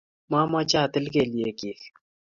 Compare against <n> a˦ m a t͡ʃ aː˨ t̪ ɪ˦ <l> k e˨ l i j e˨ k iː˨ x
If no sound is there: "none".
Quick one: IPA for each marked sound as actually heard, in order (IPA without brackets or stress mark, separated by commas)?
m, l